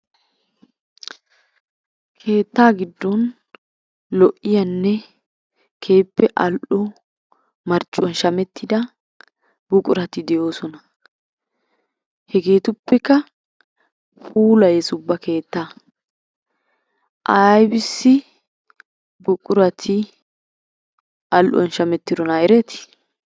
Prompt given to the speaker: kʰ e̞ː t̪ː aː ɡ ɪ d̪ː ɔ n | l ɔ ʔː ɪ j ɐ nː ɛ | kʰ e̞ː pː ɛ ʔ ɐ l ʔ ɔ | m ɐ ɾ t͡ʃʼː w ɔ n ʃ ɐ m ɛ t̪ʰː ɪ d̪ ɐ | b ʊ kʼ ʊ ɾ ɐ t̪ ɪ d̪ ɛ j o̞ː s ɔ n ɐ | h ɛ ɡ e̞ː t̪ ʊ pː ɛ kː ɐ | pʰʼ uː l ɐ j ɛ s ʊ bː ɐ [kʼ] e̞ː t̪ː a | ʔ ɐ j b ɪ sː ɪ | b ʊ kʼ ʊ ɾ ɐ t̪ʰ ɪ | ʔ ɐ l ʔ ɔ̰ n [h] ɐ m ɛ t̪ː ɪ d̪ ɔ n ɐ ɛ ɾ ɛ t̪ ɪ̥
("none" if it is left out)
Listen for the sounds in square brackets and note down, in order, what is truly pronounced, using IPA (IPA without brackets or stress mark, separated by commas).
k, ʃ